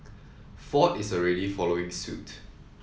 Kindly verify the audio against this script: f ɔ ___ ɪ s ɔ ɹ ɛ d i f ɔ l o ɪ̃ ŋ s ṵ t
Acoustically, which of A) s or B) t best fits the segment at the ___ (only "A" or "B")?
B